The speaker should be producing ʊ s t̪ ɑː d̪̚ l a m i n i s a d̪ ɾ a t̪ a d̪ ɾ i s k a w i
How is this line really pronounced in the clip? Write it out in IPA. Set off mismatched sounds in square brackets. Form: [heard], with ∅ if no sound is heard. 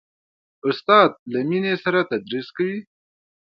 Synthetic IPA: ʊ s t̪ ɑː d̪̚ l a m i n [e] s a [∅] ɾ a t̪ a d̪ ɾ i s k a w i